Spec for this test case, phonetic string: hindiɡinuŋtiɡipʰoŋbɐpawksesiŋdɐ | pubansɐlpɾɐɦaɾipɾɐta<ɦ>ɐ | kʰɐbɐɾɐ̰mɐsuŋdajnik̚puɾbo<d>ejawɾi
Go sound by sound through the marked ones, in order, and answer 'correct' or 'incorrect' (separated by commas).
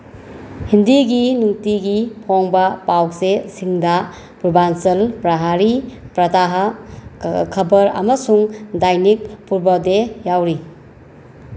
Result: correct, correct